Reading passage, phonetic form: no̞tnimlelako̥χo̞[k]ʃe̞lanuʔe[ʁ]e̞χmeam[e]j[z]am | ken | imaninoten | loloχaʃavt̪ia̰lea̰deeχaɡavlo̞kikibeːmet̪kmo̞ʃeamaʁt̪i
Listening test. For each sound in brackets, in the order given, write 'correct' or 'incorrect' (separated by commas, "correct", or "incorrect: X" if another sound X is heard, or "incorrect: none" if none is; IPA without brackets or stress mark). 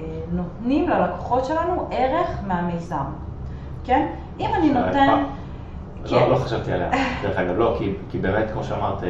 incorrect: t, correct, correct, correct